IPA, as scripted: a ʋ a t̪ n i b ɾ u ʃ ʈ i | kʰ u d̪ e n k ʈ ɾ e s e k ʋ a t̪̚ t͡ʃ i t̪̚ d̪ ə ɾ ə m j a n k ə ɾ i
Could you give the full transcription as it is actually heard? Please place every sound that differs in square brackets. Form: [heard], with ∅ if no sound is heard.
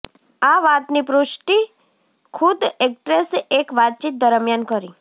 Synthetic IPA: a ʋ a t̪ n i [p] ɾ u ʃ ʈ i | kʰ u d̪ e [∅] k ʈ ɾ e s e k ʋ a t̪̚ t͡ʃ i t̪̚ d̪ ə ɾ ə m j a n k ə ɾ i